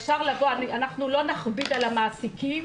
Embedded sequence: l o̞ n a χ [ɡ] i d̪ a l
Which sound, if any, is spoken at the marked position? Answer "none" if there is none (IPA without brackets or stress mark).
b